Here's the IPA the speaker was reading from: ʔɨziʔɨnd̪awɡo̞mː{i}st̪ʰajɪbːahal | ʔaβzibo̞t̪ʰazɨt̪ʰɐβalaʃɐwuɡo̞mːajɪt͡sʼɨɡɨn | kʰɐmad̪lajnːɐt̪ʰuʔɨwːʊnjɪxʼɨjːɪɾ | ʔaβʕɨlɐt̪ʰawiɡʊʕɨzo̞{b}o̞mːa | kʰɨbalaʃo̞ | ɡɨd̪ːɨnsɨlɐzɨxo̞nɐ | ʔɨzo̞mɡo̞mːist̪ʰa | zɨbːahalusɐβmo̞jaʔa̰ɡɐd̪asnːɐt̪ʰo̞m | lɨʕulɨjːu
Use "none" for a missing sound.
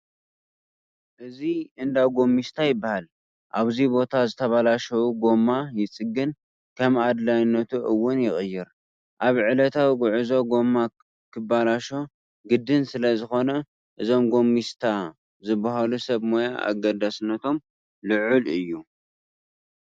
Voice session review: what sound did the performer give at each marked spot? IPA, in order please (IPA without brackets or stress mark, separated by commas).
i, ɡ